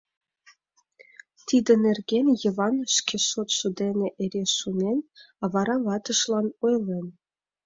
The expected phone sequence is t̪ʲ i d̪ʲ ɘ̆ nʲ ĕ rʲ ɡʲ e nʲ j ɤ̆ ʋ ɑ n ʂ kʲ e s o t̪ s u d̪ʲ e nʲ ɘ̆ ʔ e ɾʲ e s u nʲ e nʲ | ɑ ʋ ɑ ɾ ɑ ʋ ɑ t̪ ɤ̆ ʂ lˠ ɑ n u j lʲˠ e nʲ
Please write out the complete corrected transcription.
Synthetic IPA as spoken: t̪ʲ i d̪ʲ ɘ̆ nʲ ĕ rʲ ɡʲ e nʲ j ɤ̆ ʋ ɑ n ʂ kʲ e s o t̪ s u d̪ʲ e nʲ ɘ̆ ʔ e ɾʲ e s u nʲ e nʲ | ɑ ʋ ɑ ɾ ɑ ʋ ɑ t̪ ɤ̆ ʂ lˠ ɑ n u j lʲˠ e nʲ